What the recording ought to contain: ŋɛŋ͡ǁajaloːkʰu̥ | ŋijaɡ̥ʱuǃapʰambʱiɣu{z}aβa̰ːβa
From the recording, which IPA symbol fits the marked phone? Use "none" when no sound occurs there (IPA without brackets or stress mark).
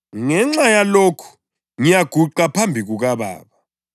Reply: ɣ